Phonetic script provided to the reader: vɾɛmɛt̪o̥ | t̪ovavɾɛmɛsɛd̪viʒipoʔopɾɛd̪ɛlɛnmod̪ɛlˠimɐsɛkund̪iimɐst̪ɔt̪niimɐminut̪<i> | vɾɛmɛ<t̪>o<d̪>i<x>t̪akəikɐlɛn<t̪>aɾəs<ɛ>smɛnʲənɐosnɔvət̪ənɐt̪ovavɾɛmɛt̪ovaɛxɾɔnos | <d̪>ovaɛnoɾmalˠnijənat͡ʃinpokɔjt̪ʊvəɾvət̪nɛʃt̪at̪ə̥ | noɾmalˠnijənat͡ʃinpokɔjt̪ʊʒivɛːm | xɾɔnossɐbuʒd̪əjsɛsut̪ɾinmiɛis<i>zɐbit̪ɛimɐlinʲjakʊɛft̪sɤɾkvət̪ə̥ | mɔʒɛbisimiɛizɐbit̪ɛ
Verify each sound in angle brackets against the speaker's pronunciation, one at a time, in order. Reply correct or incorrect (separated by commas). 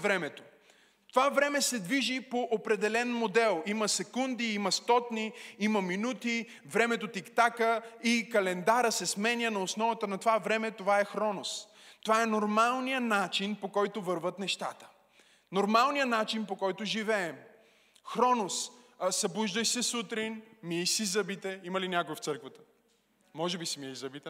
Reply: correct, correct, incorrect, incorrect, incorrect, correct, incorrect, correct